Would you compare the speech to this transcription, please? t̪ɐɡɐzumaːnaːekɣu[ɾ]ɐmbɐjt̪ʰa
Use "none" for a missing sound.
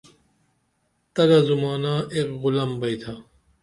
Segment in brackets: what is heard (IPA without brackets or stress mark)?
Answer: l